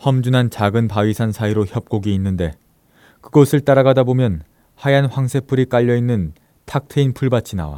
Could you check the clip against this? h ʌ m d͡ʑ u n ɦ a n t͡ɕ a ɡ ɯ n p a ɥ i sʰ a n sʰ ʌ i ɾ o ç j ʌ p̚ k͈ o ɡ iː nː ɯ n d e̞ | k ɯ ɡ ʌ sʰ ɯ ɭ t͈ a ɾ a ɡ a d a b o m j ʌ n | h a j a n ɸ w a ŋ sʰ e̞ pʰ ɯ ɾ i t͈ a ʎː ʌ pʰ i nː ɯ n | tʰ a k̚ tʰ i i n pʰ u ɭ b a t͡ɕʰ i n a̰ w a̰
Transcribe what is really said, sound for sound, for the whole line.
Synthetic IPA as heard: h ʌ m d͡ʑ u n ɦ a n t͡ɕ a ɡ ɯ n p a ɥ i sʰ a n sʰ a i ɾ o ç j ʌ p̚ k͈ o ɡ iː nː ɯ n d e̞ | k ɯ ɡ ʌ sʰ ɯ ɭ t͈ a ɾ a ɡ a d a b o m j ʌ n | h a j a n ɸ w a ŋ sʰ e̞ pʰ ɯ ɾ i k͈ a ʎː ʌ i nː ɯ n | tʰ a k̚ tʰ e i n pʰ u ɭ b a t͡ɕʰ i n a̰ w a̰